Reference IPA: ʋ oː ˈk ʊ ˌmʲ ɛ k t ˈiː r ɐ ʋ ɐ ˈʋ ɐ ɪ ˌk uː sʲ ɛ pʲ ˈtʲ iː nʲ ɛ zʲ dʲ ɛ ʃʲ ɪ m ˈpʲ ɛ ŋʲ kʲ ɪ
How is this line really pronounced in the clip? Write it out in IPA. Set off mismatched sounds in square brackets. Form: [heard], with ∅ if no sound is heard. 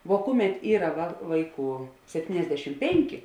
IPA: ʋ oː ˈk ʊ ˌmʲ ɛ [∅] t ˈiː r ɐ ʋ ɐ ˈʋ ɐ ɪ ˌk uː sʲ ɛ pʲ ˈtʲ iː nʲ ɛ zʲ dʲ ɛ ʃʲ ɪ m ˈpʲ ɛ ŋʲ kʲ ɪ

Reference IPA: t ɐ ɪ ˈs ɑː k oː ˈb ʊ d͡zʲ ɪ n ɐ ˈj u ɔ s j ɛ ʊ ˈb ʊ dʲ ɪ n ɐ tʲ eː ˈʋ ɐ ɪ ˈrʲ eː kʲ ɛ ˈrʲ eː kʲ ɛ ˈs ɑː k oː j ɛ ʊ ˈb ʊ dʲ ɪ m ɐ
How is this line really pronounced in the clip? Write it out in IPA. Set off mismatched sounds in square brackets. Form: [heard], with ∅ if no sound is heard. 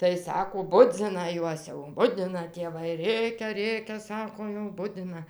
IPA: t ɐ ɪ ˈs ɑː k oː ˈb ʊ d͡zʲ ɪ n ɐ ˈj u ɔ s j ɛ ʊ ˈb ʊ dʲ ɪ n ɐ tʲ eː ˈʋ ɐ ɪ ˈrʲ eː kʲ ɛ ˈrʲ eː kʲ ɛ ˈs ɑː k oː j ɛ ʊ ˈb ʊ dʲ ɪ [n] ɐ

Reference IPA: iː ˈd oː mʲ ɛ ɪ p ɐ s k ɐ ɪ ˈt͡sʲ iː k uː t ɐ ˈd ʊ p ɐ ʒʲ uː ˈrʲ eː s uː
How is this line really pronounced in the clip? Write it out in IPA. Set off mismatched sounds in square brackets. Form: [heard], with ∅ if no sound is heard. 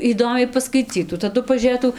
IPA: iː ˈd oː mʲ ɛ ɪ p ɐ s k ɐ ɪ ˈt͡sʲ iː [t] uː t ɐ ˈd ʊ p ɐ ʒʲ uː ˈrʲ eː [t] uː

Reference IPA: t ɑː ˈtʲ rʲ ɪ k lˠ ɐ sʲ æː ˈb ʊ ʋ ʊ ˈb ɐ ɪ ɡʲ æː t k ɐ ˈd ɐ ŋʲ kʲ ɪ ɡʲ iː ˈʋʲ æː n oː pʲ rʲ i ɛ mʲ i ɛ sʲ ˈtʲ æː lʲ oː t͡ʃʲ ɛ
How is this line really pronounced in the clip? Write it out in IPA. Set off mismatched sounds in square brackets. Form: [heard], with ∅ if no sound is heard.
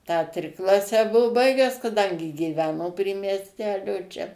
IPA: t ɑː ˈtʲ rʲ ɪ k lˠ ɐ sʲ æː ˈb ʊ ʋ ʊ ˈb ɐ ɪ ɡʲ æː [s] k ɐ ˈd ɐ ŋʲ [ɡʲ] ɪ ɡʲ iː ˈʋʲ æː n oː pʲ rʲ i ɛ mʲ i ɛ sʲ ˈtʲ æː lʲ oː t͡ʃʲ ɛ

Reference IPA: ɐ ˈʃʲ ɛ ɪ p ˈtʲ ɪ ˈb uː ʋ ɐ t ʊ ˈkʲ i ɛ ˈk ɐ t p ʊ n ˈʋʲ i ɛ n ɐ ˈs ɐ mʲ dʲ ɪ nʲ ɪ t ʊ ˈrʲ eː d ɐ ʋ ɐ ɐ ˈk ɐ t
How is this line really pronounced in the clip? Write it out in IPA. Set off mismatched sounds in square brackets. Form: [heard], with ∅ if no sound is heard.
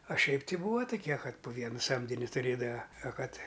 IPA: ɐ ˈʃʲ ɛ ɪ p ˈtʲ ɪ ˈb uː ʋ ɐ t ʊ ˈkʲ i ɛ ˈk ɐ t p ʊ [∅] ˈʋʲ i ɛ n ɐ ˈs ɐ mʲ dʲ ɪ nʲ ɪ t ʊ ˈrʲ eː d ɐ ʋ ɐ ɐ ˈk ɐ t

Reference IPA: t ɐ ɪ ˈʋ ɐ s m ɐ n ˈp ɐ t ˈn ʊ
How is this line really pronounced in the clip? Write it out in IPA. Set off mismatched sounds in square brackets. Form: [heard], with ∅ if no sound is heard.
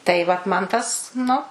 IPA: t ɐ ɪ ˈʋ ɐ [t] m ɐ n [ˈt] ɐ [s] ˈn ʊ

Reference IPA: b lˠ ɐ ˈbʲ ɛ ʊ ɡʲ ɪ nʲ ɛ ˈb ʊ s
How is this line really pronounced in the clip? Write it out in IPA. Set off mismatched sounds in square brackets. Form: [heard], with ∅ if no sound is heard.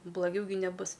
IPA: b lˠ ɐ [ˈɡʲ] ɛ ʊ ɡʲ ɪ nʲ ɛ ˈb ʊ s

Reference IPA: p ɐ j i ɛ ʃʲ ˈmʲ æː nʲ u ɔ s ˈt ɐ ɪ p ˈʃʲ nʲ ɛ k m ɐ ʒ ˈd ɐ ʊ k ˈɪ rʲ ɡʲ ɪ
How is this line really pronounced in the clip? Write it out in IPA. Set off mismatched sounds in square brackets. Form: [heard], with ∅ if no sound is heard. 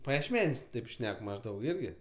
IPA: p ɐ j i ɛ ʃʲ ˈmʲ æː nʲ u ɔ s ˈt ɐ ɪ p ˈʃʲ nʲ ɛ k m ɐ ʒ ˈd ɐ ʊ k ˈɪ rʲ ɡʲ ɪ

